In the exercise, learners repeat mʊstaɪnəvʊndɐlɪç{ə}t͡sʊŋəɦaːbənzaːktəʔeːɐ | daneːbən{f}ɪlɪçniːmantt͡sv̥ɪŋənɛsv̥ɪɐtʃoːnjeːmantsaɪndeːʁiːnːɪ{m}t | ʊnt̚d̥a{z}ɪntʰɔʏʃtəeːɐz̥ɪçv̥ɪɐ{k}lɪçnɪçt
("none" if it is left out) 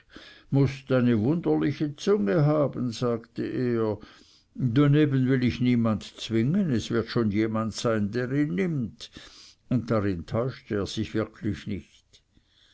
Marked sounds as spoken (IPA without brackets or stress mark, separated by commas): ə, v, m, ʁ, kʰ